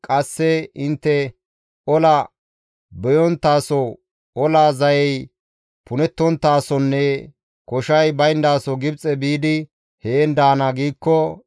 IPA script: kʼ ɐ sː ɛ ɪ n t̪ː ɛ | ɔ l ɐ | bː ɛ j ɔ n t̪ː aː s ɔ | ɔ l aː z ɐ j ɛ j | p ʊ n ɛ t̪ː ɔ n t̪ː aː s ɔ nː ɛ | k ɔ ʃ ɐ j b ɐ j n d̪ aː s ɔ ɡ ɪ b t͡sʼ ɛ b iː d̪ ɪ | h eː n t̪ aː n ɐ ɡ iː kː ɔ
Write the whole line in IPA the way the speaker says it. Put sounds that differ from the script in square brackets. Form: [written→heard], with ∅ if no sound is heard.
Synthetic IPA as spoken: kʼ ɐ sː ɛ ɪ n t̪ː ɛ | ɔ l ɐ | [bː→b] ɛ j ɔ n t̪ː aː s ɔ | ɔ l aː z ɐ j ɛ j | p ʊ n ɛ t̪ː ɔ n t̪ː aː s ɔ nː ɛ | k ɔ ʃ ɐ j b ɐ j n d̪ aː s ɔ ɡ ɪ b t͡sʼ ɛ b iː d̪ ɪ | h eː n [t̪→d̪] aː n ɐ ɡ iː kː ɔ